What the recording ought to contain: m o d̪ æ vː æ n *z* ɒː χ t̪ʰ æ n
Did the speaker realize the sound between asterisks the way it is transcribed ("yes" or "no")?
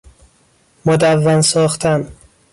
no